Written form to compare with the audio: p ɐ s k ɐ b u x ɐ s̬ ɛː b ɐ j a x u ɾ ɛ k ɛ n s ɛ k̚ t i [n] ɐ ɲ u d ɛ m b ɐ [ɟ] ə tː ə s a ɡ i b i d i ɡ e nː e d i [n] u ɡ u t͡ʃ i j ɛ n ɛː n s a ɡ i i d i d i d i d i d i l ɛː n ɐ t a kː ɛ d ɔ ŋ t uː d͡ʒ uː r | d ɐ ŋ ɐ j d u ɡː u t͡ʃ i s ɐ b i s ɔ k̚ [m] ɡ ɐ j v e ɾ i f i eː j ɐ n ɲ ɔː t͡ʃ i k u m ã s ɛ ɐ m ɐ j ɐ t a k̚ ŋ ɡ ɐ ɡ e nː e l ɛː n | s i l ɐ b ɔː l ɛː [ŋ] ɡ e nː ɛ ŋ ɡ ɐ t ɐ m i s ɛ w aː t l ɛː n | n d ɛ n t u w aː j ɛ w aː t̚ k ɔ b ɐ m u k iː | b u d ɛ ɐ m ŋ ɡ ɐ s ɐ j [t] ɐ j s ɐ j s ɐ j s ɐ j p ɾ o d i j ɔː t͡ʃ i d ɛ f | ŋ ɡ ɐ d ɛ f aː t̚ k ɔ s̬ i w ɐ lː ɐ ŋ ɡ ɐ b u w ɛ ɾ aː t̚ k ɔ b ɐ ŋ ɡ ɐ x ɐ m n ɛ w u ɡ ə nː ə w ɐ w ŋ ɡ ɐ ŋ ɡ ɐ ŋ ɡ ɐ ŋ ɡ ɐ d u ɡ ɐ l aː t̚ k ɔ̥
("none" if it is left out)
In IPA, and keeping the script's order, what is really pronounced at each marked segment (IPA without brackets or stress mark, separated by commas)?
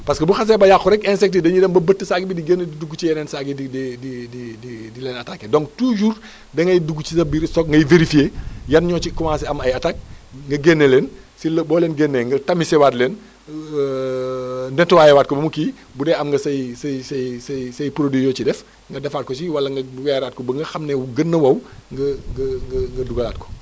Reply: d, b, d, ŋ, n, s